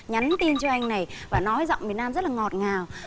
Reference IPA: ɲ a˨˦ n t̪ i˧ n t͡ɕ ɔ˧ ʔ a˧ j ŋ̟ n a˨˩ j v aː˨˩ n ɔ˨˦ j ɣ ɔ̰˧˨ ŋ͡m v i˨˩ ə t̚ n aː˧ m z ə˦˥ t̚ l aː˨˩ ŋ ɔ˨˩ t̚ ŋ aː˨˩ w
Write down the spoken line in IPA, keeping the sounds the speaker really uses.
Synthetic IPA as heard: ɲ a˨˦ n t̪ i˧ n t͡ɕ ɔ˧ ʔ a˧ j ŋ̟ n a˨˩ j v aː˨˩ n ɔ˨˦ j z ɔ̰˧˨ ŋ͡m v i˨˩ ə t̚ n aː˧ m z ə˦˥ t̚ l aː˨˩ ŋ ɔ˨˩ t̚ ŋ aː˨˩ w